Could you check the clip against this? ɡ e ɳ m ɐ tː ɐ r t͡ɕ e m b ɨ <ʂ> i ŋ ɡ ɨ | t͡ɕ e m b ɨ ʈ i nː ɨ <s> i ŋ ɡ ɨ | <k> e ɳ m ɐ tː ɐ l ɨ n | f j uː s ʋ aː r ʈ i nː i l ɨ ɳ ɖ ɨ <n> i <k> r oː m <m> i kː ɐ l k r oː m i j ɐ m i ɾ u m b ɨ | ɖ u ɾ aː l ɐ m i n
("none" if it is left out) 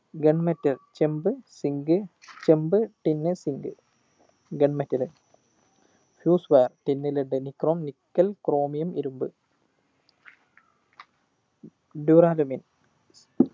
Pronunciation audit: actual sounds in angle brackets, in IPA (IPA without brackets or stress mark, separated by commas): s, s, ɡ, n, k, n